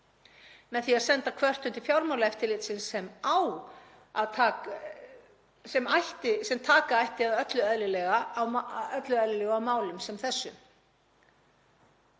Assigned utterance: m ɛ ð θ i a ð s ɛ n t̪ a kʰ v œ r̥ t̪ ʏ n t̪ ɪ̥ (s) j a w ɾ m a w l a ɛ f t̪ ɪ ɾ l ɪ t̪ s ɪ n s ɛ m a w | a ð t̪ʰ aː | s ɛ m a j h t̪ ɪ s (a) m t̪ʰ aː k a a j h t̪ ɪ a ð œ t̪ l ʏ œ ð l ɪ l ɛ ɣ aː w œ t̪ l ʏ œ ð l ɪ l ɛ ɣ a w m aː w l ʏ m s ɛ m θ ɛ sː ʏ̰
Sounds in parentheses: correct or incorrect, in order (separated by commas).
incorrect, incorrect